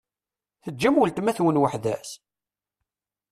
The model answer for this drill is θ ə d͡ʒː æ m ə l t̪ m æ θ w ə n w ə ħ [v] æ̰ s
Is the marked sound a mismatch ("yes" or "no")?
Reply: yes